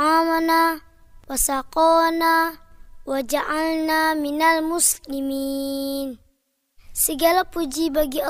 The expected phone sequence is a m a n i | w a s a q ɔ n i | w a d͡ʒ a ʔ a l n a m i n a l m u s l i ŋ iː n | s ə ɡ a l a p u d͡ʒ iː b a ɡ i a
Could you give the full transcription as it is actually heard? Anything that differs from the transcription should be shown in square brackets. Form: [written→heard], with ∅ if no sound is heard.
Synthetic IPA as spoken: a m a n [i→a] | w a s a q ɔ n [i→a] | w a d͡ʒ a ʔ a l n a m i n a l m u s l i [ŋ→m] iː n | s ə ɡ a l a p u d͡ʒ [iː→i] b a ɡ i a